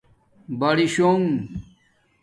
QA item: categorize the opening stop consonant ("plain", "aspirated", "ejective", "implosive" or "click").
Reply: plain